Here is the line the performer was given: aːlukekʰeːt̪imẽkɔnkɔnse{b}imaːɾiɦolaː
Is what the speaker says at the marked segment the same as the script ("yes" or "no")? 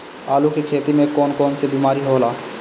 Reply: yes